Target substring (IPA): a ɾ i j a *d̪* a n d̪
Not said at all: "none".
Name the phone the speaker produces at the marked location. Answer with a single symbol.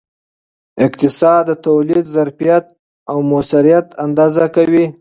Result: t̪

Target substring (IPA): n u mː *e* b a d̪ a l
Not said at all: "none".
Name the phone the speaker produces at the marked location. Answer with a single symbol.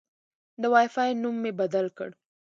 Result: e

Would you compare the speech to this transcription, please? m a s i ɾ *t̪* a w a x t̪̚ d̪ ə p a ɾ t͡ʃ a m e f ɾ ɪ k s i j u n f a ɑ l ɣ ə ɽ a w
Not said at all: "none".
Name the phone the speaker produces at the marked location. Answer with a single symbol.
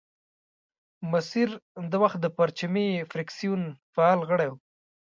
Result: d̪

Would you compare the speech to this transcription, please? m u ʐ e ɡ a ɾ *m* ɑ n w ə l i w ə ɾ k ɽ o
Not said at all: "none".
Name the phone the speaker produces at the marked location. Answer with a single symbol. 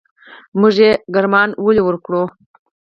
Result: m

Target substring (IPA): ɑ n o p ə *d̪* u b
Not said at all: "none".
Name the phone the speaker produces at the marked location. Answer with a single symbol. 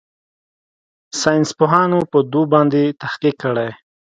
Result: d̪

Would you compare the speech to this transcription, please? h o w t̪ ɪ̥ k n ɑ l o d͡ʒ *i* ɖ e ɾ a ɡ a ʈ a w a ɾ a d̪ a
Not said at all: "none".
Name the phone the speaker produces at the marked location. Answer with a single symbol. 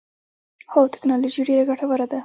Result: i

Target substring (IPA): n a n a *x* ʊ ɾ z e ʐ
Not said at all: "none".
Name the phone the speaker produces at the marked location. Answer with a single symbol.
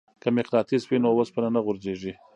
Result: ɣ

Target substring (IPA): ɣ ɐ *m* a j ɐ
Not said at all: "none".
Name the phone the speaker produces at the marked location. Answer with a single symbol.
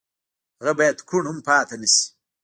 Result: b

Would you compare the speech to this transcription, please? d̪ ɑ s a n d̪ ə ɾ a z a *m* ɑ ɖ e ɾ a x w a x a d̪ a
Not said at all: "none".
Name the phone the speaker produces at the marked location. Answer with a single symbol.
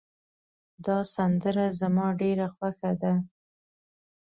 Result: m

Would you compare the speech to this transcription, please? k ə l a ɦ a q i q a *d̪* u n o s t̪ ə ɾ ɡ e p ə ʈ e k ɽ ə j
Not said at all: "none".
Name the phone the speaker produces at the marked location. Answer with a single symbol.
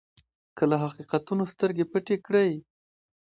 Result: t̪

